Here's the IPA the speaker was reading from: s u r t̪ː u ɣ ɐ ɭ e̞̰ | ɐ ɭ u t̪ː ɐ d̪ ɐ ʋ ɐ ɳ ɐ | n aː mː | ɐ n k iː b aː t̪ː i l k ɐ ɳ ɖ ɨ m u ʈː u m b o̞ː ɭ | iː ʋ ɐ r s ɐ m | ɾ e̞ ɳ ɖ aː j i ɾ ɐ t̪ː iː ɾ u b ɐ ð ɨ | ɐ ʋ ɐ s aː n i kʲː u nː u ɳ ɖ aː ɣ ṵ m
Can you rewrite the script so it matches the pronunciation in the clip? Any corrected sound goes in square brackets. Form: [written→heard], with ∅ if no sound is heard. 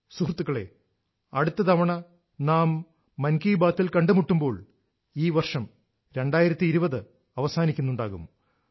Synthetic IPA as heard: s u r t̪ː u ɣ ɐ ɭ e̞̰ | ɐ [ɭ→ɽ] u t̪ː ɐ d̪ ɐ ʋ ɐ ɳ ɐ | n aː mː | ɐ n k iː b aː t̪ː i l k ɐ ɳ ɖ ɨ m u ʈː u m b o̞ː ɭ | iː ʋ ɐ r [s→ʂ] ɐ m | ɾ e̞ ɳ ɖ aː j i ɾ ɐ t̪ː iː ɾ u b ɐ ð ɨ | ɐ ʋ ɐ s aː n i kʲː u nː u ɳ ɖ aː ɣ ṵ m